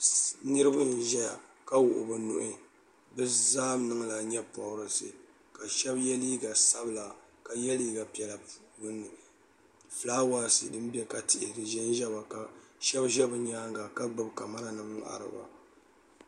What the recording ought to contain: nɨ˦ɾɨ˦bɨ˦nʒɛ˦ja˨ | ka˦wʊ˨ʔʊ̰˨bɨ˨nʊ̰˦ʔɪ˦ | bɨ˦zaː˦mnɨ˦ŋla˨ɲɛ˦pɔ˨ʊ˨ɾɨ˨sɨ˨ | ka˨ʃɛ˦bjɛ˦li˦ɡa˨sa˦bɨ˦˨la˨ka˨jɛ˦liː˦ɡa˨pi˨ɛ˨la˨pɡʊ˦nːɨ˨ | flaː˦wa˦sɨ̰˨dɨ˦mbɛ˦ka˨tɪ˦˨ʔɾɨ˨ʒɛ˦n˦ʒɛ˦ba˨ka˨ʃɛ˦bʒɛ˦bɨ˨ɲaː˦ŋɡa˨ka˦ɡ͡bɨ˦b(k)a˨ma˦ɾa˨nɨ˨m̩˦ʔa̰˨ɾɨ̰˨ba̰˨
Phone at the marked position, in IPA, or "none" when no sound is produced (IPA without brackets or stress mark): k